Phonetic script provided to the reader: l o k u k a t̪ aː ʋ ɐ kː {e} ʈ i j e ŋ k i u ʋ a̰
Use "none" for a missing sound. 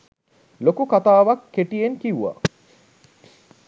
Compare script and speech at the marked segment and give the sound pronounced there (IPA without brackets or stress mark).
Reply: e